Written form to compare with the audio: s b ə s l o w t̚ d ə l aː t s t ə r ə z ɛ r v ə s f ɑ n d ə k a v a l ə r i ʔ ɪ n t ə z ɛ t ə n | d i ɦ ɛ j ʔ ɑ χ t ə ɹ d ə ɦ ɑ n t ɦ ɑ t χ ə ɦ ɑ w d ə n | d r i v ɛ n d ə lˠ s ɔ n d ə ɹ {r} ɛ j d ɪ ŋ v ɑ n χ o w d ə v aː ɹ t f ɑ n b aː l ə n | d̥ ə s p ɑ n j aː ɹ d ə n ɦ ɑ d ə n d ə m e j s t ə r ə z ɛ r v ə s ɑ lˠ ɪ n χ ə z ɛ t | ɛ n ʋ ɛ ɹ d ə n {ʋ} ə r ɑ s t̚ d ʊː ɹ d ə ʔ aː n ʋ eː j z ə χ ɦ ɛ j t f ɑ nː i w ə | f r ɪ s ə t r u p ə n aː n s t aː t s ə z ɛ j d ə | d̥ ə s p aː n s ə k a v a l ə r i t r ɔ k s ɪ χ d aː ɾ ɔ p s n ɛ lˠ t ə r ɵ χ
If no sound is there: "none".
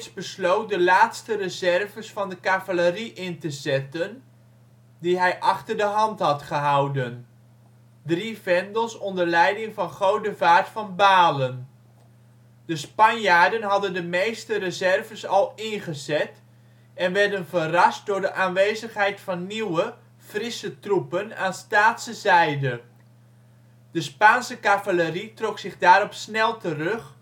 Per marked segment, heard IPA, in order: l, v

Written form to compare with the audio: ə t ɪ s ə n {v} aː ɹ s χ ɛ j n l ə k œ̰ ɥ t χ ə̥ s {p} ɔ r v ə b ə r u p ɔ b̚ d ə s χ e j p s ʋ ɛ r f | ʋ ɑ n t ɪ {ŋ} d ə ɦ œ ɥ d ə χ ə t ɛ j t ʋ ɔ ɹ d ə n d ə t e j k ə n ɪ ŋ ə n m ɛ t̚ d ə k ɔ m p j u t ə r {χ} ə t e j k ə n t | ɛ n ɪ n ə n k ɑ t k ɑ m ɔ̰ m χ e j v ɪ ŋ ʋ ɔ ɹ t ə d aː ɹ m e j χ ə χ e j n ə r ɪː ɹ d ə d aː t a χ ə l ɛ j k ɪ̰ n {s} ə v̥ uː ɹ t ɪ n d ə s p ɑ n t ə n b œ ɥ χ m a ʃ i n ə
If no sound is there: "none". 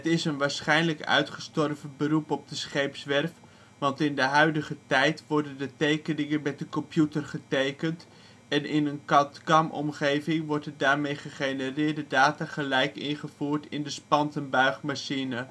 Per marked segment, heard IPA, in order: ʋ, t, n, χ, χ

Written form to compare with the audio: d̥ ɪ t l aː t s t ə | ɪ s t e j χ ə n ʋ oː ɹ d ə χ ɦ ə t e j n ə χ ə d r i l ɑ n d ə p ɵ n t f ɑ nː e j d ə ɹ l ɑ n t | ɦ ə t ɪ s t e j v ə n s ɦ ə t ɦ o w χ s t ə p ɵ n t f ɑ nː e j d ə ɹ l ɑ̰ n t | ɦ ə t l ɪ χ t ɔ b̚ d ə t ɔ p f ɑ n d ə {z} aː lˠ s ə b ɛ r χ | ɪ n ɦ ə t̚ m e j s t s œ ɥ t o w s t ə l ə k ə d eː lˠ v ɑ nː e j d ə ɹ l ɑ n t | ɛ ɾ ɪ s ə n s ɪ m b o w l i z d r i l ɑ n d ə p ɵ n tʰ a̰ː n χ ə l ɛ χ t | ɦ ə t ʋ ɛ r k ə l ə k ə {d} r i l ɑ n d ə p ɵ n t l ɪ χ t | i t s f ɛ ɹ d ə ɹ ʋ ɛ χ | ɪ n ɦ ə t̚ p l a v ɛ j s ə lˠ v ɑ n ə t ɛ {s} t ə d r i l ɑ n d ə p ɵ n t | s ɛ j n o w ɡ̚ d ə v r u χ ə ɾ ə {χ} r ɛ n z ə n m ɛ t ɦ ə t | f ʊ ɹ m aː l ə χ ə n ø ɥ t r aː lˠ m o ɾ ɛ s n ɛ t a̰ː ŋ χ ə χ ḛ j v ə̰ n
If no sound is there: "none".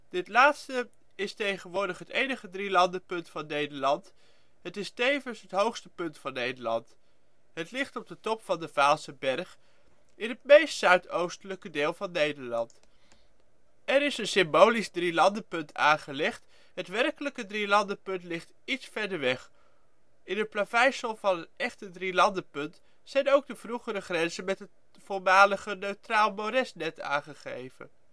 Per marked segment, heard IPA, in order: v, d, χ, χ

